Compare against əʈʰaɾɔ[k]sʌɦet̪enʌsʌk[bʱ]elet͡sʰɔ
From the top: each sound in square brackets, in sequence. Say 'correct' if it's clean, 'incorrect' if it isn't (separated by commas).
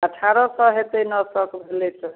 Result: incorrect, correct